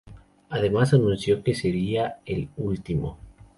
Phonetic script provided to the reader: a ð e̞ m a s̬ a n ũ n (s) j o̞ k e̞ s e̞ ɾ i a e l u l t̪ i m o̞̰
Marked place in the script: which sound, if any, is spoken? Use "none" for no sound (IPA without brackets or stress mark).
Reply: s